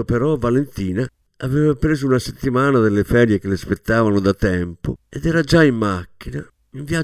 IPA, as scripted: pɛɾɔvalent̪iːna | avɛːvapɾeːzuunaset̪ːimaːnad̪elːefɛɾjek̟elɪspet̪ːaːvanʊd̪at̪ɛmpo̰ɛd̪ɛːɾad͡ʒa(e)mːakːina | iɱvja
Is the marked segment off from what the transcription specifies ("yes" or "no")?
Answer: yes